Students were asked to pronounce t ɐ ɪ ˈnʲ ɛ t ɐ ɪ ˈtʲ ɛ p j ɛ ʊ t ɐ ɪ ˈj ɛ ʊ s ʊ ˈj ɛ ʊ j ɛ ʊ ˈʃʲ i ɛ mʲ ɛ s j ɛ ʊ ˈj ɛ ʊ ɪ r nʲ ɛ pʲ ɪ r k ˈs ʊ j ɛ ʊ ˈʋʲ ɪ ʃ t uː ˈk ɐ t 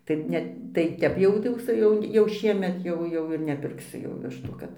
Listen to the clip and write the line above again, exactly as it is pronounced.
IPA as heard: t ɐ ɪ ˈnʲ ɛ t ɐ ɪ ˈtʲ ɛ p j ɛ ʊ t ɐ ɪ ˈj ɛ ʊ s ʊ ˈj ɛ ʊ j ɛ ʊ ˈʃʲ i ɛ mʲ ɛ t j ɛ ʊ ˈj ɛ ʊ ɪ r nʲ ɛ pʲ ɪ r k ˈs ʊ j ɛ ʊ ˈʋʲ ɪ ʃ t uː ˈk ɐ t